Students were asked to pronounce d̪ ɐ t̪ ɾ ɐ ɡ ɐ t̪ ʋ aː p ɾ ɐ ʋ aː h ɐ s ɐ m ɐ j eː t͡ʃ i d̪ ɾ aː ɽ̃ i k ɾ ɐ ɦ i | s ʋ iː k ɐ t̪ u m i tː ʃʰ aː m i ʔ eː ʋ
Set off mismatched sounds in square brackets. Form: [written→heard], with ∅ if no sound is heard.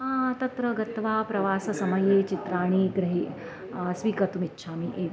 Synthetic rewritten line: [d̪→t̪] ɐ t̪ ɾ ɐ ɡ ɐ t̪ ʋ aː p ɾ ɐ ʋ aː [h→s] ɐ s ɐ m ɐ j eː t͡ʃ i [d̪→t̪] ɾ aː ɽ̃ i [k→ɡ] ɾ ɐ ɦ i | s ʋ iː k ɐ t̪ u m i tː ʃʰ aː m i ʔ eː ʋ

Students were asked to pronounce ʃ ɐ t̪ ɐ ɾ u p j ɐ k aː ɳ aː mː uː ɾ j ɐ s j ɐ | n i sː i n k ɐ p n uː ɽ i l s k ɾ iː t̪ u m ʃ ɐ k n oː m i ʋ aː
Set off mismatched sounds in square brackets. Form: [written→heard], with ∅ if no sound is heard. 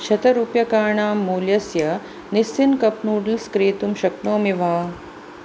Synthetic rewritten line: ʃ ɐ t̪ ɐ ɾ u p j ɐ k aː ɳ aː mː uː [ɾ→l] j ɐ s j ɐ | n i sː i n k ɐ p n uː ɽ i l s k ɾ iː t̪ u m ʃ ɐ k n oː m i ʋ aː

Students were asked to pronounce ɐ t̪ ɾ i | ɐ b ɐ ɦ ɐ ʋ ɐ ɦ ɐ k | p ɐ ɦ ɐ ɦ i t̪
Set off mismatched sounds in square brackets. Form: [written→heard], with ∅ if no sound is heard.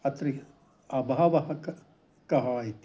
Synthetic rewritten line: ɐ t̪ ɾ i | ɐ b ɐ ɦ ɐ ʋ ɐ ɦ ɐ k | [p→k] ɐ ɦ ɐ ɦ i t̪

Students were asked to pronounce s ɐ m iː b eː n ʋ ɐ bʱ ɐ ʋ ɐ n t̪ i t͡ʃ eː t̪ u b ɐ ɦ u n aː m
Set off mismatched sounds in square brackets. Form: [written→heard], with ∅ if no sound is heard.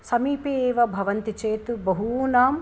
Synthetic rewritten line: s ɐ m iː [b→p] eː [n→∅] ʋ ɐ bʱ ɐ ʋ ɐ n t̪ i t͡ʃ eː t̪ u b ɐ ɦ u n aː m

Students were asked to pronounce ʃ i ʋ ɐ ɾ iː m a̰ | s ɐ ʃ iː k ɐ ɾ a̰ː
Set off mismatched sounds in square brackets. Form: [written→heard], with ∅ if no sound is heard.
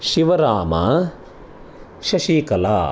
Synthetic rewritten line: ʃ i ʋ ɐ ɾ [iː→aː] m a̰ | [s→ʃ] ɐ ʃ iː k ɐ [ɾ→l] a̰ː

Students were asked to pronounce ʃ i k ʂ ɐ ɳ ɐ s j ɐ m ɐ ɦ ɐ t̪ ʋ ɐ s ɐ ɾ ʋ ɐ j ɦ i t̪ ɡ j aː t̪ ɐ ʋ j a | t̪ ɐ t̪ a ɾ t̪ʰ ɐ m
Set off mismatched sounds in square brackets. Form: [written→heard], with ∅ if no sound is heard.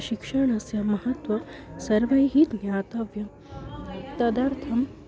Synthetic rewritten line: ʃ i k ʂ ɐ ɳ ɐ s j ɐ m ɐ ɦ ɐ t̪ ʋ ɐ s ɐ ɾ ʋ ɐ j ɦ i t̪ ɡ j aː t̪ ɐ ʋ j [a→ɐ] | t̪ ɐ [t̪→d̪] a ɾ t̪ʰ ɐ m

